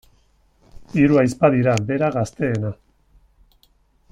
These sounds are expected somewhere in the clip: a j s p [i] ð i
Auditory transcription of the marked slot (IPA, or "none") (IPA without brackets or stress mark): a